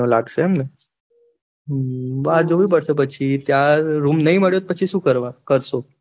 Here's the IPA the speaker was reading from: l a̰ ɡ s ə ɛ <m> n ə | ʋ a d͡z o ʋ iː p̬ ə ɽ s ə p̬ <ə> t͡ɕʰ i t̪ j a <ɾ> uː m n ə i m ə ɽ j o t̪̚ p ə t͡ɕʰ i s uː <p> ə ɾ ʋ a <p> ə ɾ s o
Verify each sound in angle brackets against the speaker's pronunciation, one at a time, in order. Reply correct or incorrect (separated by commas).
correct, correct, correct, incorrect, incorrect